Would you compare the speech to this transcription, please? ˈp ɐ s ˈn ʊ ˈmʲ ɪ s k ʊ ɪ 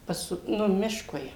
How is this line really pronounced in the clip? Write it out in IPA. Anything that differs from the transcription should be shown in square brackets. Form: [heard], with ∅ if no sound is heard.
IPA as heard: ˈp ɐ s ˈn ʊ ˈmʲ ɪ [ʃ] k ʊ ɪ